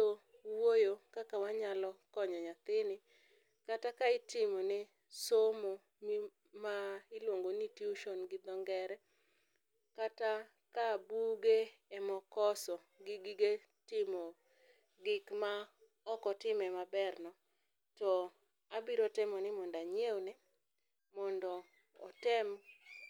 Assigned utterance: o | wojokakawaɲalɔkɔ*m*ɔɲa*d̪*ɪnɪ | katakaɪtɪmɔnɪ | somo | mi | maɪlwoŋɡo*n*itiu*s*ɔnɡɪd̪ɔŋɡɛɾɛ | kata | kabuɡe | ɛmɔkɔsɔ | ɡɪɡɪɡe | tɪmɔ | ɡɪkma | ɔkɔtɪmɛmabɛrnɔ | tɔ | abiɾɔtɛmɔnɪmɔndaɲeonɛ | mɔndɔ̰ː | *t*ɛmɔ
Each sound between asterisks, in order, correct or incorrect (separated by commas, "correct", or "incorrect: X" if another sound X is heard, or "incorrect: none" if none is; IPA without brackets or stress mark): incorrect: ɲ, incorrect: t̪, correct, incorrect: ʃ, correct